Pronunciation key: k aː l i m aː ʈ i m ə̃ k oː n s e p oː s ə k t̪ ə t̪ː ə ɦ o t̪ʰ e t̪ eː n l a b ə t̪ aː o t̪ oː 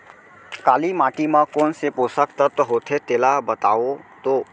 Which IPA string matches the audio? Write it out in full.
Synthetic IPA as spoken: k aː l i m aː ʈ i m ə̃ k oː n s e p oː s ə k t̪ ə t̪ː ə ɦ o t̪ʰ e t̪ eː l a b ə t̪ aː o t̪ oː